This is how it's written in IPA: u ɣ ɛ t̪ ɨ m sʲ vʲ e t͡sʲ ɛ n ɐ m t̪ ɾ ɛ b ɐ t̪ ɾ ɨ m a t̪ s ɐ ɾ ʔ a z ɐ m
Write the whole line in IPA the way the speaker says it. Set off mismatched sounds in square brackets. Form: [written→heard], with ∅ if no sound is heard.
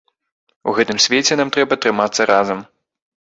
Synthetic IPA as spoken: u ɣ ɛ t̪ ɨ m sʲ vʲ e t͡sʲ ɛ n [ɐ→a] m t̪ ɾ ɛ b ɐ t̪ ɾ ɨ m a t̪ [s→sː] ɐ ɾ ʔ a z ɐ m